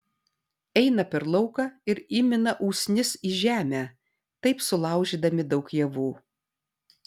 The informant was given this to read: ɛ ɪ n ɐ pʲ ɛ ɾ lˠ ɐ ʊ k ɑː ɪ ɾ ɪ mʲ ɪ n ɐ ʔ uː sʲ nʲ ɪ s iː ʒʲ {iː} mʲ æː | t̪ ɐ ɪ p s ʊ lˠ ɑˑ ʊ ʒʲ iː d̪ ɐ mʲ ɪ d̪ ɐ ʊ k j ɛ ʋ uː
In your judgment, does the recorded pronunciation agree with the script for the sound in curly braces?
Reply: no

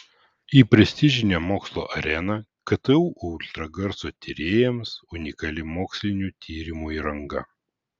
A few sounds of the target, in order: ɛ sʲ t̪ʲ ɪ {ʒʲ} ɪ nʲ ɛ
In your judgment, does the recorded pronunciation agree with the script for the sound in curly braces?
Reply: yes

